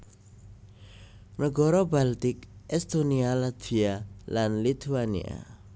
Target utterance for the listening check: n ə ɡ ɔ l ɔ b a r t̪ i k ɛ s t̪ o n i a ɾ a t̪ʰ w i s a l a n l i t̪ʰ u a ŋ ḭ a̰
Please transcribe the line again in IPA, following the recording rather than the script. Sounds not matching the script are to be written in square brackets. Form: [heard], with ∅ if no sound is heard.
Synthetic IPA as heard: n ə ɡ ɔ [ɾ] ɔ b a [l] t̪ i k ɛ s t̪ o n i a [l] a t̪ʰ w i [∅] a l a n l i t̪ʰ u a [n] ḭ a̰

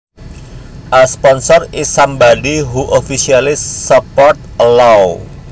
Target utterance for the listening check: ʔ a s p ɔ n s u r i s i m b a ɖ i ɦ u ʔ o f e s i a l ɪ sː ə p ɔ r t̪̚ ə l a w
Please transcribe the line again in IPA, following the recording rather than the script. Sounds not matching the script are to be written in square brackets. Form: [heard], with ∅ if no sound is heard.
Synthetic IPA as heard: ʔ a s p ɔ n s [ɔ] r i s [a] m b a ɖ i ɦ u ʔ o f [i] s i a l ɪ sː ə p ɔ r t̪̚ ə l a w

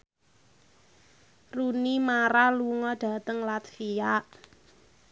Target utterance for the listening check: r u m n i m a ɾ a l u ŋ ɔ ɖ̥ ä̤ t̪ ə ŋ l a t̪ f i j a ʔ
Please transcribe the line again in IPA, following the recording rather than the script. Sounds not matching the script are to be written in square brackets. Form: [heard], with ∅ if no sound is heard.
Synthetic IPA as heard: r u [∅] n i m a ɾ a l u ŋ ɔ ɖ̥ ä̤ t̪ ə ŋ l a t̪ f i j a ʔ

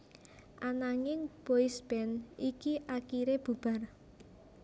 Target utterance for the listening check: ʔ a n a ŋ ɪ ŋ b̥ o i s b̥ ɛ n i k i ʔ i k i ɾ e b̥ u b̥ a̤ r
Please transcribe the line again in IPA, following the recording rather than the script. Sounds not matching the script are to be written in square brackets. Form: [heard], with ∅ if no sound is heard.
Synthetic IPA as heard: ʔ a n a ŋ ɪ ŋ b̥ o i s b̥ ɛ n i k i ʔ [a] k i ɾ e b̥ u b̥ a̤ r

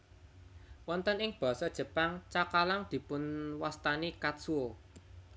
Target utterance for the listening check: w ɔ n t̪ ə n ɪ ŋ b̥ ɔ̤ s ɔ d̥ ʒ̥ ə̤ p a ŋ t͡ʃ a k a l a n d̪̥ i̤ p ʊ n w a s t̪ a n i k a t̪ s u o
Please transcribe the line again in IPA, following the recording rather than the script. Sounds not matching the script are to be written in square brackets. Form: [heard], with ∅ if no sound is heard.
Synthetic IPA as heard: w ɔ n t̪ ə n ɪ ŋ b̥ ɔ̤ s ɔ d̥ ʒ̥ ə̤ p a ŋ t͡ʃ a k a l a [ŋ] d̪̥ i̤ p ʊ n w a s t̪ a n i k a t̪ s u o

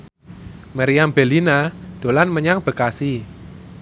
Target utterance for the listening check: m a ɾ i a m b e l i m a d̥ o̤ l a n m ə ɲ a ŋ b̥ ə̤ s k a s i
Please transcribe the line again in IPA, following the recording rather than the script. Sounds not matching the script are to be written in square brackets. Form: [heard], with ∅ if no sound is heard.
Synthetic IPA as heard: m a ɾ i a m b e l i [n] a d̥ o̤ l a n m ə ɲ a ŋ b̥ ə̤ [∅] k a s i

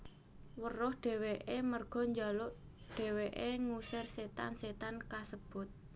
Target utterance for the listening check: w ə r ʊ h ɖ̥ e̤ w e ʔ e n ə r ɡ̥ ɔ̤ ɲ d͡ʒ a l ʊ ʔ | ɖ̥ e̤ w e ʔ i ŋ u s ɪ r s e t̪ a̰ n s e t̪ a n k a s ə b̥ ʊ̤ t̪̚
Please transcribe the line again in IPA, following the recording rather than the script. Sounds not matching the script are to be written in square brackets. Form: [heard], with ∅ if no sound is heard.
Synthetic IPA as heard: w ə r ʊ h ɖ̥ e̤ w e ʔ e [m] ə r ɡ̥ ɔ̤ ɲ d͡ʒ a l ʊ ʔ | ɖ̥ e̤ w e ʔ [e] ŋ u s ɪ r s e t̪ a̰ n s e t̪ a n k a s ə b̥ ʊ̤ t̪̚

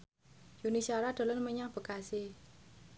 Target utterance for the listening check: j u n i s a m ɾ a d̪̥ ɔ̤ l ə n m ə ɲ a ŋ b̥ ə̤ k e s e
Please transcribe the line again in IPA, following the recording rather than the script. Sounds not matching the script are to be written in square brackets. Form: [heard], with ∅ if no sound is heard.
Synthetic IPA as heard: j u n i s a [∅] ɾ a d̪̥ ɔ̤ l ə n m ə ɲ a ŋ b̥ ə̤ k [a] s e

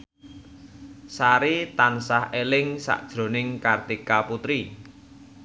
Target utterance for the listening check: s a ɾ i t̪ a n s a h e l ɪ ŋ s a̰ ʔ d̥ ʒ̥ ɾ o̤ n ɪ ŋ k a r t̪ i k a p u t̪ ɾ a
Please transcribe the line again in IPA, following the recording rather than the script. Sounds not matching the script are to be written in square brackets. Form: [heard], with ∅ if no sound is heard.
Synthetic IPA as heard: s a ɾ i t̪ a n s a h e l ɪ ŋ s a̰ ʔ d̥ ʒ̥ ɾ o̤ n ɪ ŋ k a r t̪ i k a p u t̪ ɾ [i]

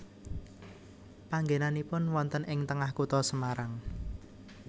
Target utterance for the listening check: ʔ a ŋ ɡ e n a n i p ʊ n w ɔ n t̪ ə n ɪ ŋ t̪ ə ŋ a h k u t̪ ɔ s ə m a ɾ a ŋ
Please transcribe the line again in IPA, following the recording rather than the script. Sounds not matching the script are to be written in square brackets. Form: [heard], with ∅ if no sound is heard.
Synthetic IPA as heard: [p] a ŋ ɡ e n a n i p ʊ n w ɔ n t̪ ə n ɪ ŋ t̪ ə ŋ a h k u t̪ ɔ s ə m a ɾ a ŋ

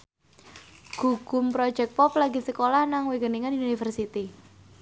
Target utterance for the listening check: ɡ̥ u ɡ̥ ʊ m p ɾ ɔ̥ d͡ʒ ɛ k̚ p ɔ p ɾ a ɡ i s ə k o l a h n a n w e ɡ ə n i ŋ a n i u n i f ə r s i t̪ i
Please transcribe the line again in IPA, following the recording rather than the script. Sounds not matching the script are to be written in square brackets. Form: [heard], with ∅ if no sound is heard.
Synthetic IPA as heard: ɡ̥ u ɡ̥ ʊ m p ɾ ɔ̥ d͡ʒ ɛ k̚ p ɔ p [l] a ɡ i s ə k o l a h n a [ŋ] w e ɡ ə n i ŋ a n i u n i f ə r s i t̪ i

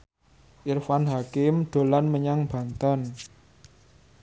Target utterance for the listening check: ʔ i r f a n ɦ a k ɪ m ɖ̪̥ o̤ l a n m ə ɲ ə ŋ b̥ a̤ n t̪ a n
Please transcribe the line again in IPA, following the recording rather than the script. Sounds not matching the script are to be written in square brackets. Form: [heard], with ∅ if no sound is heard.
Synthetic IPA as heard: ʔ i r f a n ɦ a k ɪ m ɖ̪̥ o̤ l a n m ə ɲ [a] ŋ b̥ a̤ n t̪ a n

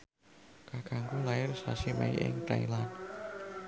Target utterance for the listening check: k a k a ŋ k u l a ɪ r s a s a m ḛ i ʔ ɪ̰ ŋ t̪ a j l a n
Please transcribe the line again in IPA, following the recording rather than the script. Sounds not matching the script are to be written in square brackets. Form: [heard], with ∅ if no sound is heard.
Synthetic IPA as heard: k a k a ŋ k u l a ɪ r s a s [i] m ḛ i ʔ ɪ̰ ŋ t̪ a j l a n

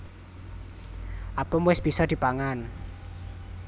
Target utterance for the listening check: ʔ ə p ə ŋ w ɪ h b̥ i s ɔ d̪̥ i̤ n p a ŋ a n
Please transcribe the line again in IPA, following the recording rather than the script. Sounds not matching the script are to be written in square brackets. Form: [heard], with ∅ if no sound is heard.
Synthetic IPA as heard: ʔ [a] p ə [m] w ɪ [s] b̥ i s ɔ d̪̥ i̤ [∅] p a ŋ a n

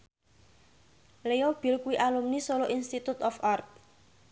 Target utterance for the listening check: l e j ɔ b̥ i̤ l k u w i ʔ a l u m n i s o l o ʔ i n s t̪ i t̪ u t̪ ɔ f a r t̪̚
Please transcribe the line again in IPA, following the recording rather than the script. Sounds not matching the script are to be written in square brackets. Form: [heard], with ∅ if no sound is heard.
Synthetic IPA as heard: l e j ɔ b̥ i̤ l k u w i ʔ a l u m n i s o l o ʔ i n s t̪ i t̪ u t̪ ɔ f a r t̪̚

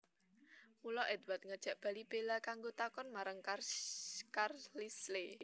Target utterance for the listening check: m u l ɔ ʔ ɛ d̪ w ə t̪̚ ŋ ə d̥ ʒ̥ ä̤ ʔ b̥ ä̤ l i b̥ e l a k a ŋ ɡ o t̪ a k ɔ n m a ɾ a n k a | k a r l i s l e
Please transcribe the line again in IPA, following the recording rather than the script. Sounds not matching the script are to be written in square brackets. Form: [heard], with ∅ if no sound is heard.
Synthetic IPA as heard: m u l ɔ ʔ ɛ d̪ w [a] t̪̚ ŋ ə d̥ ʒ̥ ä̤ ʔ b̥ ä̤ l i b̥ e l a k a ŋ ɡ o t̪ a k ɔ n m a ɾ a [ŋ] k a | k a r l i s l e

